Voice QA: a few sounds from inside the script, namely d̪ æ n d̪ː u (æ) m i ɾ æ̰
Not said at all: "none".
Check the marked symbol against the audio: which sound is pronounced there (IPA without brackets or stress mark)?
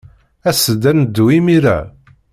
i